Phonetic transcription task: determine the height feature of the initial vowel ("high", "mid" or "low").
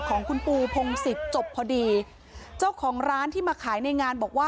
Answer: mid